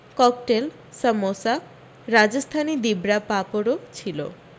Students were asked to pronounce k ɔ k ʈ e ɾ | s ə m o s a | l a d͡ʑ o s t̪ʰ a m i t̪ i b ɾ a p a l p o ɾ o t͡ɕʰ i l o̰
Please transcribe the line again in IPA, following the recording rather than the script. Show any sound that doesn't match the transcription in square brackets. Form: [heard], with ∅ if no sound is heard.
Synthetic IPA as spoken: k ɔ k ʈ e [l] | s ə m o s a | [ɾ] a d͡ʑ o s t̪ʰ a [n] i [d̪] i b ɾ a p a [∅] p o ɾ o t͡ɕʰ i l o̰